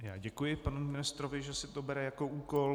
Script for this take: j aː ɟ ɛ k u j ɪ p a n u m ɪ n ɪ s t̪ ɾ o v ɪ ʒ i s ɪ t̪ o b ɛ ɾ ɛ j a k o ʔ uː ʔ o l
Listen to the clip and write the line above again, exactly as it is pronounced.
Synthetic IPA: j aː ɟ ɛ k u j ɪ p a n u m ɪ n ɪ s t̪ ɾ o v ɪ ʒ ɛ s ɪ t̪ o b ɛ ɾ ɛ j a k o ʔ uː k o l

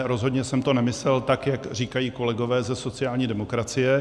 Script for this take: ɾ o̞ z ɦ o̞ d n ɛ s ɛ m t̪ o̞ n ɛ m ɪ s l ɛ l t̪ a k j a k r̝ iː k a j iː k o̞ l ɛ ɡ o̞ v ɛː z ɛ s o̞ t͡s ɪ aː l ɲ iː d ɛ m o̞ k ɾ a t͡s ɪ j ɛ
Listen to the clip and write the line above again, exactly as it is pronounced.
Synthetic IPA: ɾ o̞ z ɦ o̞ d ɲ ɛ s ɛ m t̪ o̞ n ɛ m ɪ s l ɛ l t̪ a k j a k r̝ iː k a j iː k o̞ l ɛ ɡ o̞ v ɛː z ɛ s o̞ t͡s ɪ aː l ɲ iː d ɛ m o̞ k ɾ a t͡s ɪ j ɛ

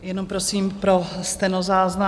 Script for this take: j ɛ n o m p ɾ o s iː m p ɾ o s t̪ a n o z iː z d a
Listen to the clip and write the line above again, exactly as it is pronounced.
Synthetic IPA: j ɛ n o m p ɾ o s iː m p ɾ o s t̪ ɛ n o z aː z n a

